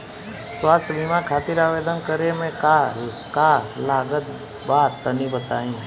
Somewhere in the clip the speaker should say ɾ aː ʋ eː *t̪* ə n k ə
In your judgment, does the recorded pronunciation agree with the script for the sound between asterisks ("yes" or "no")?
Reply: no